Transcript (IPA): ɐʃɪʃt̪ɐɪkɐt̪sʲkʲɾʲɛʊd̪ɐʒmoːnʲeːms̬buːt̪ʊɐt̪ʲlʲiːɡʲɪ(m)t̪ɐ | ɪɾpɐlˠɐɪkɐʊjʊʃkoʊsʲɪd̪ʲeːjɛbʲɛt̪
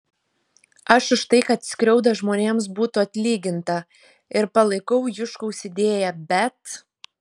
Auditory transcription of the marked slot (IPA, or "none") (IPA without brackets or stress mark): n